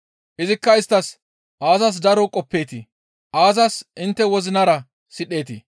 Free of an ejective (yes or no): no